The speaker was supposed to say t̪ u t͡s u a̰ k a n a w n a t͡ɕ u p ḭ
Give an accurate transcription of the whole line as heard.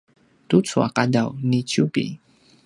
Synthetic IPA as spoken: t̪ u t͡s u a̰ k a d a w n i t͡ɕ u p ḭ

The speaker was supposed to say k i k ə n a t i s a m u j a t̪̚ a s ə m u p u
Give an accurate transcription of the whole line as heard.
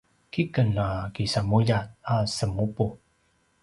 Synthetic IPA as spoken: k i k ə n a k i s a m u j a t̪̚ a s ə m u p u

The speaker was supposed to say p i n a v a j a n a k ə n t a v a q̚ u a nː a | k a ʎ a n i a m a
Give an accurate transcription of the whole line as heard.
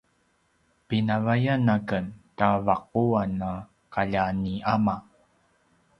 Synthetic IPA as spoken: p i n a v a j a n a k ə n t a v a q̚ u a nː a | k a ʎ a n i a m a

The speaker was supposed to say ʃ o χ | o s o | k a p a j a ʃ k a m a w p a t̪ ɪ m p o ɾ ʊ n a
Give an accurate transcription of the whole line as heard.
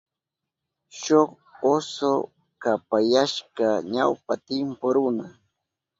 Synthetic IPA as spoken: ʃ o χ | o s o | k a p a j a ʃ k a ɲ a w p a t̪ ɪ m p o ɾ ʊ n a

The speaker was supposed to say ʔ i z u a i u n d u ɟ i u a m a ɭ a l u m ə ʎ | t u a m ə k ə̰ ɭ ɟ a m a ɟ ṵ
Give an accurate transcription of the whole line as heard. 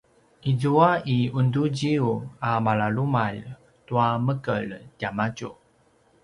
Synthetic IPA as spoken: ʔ i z u a i u n d u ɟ i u a m a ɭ a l u m a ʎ | t u a m ə k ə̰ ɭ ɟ a m a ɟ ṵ

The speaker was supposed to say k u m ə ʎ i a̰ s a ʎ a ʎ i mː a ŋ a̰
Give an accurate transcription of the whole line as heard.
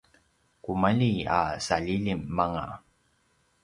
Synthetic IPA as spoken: k u m a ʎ i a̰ s a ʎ i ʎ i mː a ŋ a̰

